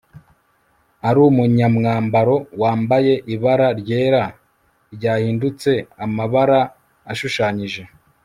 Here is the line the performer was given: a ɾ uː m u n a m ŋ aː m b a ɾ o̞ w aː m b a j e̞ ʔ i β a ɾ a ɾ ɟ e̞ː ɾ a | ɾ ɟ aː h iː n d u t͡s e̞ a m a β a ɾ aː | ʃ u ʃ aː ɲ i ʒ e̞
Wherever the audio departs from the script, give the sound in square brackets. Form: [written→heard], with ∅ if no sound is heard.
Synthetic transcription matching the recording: a ɾ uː m u [n→ɲ] a m ŋ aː m b a ɾ o̞ w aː m b a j e̞ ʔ i β a ɾ a ɾ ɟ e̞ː ɾ a | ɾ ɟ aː h iː n d u t͡s e̞ a m a β a ɾ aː | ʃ u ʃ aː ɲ i ʒ e̞